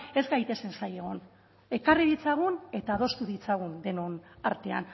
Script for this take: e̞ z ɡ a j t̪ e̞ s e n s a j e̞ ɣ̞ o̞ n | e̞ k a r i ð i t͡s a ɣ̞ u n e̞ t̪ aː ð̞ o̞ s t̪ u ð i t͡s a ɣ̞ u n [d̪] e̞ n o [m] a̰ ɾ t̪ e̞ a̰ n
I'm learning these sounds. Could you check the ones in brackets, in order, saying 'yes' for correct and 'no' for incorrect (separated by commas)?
yes, no